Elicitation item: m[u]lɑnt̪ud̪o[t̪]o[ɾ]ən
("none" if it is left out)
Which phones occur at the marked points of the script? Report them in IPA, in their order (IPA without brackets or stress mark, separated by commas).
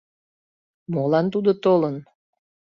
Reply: o, t̪, l